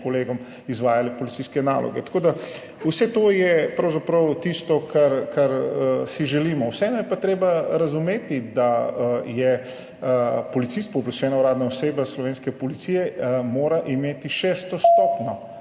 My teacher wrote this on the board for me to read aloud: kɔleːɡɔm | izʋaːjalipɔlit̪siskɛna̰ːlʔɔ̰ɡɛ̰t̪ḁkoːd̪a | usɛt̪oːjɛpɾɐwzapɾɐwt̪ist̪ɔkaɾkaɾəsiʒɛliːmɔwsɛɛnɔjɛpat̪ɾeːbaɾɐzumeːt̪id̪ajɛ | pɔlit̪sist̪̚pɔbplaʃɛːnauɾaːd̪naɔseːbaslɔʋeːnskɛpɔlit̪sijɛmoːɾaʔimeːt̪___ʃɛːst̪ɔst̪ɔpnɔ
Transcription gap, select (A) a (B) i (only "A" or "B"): B